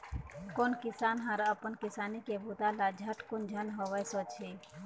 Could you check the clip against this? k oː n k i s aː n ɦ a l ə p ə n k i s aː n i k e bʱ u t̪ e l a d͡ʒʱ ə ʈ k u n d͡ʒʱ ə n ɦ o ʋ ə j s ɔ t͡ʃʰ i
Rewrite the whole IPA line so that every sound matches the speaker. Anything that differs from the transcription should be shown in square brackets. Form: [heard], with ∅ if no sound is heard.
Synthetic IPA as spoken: k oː n k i s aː n ɦ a [ɾ] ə p ə n k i s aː n i k e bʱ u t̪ [a] l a d͡ʒʱ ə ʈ k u n d͡ʒʱ ə n ɦ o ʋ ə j s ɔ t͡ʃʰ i